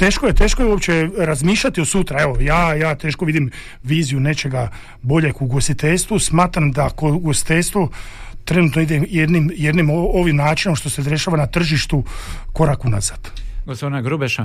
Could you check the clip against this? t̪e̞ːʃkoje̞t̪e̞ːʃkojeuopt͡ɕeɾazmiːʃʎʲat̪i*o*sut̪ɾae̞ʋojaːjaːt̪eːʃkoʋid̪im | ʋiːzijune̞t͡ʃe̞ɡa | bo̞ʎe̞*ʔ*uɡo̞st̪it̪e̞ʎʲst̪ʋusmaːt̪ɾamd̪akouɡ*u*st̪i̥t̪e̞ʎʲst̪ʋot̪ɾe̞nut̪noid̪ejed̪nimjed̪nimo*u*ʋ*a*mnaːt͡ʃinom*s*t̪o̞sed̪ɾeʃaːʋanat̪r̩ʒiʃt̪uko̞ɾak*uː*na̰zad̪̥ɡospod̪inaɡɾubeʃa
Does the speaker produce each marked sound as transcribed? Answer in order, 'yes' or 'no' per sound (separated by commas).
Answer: yes, no, no, no, no, no, no